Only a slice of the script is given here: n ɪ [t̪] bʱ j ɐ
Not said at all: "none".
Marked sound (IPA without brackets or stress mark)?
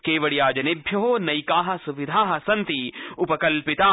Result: none